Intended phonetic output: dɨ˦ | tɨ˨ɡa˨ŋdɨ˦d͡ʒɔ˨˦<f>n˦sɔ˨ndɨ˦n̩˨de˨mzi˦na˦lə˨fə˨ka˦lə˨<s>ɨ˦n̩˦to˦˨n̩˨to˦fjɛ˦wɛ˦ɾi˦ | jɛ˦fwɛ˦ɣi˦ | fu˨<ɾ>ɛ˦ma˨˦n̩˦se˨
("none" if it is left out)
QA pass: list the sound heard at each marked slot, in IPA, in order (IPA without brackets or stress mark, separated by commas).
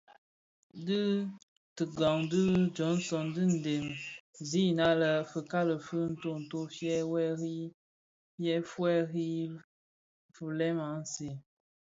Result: none, f, l